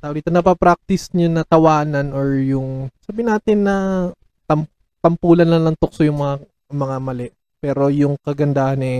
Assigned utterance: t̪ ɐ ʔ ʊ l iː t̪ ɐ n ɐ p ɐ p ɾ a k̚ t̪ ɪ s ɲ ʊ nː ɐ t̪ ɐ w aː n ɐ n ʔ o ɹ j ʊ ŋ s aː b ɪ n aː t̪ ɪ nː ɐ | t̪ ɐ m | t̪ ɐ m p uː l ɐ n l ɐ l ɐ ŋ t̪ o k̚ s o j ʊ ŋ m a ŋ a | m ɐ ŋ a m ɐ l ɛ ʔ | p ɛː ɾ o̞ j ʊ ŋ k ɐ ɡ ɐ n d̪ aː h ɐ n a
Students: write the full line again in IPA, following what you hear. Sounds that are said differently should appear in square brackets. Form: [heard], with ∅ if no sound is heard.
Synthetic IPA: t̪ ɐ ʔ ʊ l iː t̪ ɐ n ɐ p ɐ p ɾ a k̚ t̪ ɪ s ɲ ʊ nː ɐ t̪ ɐ w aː n ɐ n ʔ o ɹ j ʊ ŋ s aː b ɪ n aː t̪ ɪ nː ɐ | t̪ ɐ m | t̪ ɐ m p uː l ɐ n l ɐ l ɐ ŋ t̪ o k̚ s o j ʊ ŋ m [ɐ] ŋ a | m ɐ ŋ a m ɐ l ɛ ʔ | p ɛː ɾ o̞ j ʊ ŋ k ɐ ɡ ɐ n d̪ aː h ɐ n [ɛ]